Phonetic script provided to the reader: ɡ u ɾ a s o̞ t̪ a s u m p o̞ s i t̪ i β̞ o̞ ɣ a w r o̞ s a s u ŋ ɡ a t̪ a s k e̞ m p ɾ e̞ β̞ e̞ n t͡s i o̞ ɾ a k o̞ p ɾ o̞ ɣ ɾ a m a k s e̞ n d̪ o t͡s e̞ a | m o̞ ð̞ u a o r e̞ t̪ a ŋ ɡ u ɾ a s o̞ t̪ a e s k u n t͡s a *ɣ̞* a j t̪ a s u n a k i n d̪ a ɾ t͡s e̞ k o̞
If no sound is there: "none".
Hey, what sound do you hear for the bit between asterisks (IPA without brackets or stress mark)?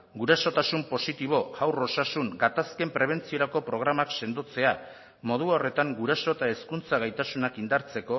ɣ̞